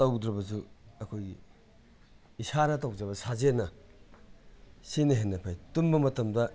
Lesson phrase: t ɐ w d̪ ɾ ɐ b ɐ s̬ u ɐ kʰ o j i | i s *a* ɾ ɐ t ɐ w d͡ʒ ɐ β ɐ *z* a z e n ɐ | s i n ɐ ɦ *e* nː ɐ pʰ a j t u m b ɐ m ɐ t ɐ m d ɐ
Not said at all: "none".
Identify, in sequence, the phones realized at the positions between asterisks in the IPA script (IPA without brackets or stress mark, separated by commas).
a, s, e